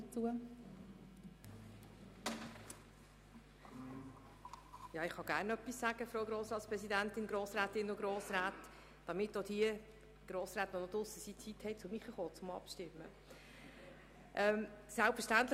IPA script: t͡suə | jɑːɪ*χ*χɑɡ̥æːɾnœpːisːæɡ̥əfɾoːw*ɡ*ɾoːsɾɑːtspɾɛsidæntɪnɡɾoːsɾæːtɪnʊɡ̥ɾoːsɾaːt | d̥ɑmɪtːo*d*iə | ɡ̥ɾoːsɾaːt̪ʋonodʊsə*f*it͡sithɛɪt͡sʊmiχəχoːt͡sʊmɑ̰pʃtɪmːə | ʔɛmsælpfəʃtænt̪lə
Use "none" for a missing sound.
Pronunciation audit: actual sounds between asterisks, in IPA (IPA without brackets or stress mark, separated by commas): χ, ɡ, d, s